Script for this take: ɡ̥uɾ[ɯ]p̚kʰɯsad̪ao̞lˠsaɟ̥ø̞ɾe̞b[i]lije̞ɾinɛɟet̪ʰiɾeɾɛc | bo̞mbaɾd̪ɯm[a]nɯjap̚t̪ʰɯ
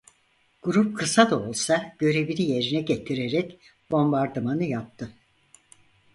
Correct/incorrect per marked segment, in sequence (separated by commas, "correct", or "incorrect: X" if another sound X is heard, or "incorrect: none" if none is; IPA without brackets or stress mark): incorrect: u, correct, correct